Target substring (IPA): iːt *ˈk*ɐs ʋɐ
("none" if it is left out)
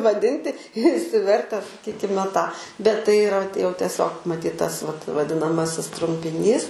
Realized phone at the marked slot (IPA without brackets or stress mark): t